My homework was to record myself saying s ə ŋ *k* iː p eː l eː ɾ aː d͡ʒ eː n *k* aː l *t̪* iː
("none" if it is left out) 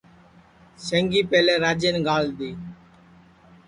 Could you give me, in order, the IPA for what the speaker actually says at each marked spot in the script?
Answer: ɡ, ɡ, d̪

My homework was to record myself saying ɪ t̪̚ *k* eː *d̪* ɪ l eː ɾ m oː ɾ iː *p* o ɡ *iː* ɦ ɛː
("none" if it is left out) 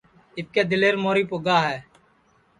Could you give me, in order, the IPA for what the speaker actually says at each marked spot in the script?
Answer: k, d̪, p, aː

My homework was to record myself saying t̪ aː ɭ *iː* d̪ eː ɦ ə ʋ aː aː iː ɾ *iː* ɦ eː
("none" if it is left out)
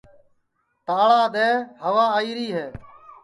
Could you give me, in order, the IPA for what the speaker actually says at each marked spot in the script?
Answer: aː, iː

